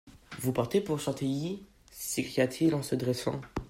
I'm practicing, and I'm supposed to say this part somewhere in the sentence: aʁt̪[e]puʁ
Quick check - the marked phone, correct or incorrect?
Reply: correct